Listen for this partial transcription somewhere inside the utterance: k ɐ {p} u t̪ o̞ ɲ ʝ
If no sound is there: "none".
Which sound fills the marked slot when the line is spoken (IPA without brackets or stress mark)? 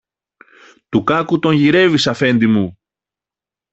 k